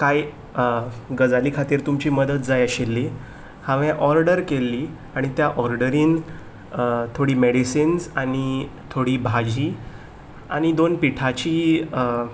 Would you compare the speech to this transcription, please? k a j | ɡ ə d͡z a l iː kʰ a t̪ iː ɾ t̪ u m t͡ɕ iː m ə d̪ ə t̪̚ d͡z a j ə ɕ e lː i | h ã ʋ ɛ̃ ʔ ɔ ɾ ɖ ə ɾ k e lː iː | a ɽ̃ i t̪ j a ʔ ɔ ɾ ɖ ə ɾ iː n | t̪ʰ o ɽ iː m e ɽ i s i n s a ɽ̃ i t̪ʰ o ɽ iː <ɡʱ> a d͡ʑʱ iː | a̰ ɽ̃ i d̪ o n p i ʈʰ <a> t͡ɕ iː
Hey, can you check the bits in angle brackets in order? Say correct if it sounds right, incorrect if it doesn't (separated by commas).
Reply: incorrect, correct